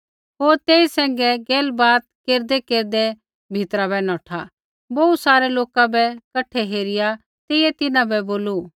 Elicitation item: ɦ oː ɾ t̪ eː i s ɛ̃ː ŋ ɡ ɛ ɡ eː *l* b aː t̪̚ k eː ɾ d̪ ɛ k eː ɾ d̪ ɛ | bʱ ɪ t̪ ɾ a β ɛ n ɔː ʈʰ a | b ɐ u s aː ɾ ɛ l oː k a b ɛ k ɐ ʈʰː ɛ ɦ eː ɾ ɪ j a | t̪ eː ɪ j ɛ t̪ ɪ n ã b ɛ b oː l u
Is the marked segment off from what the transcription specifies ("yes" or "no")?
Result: no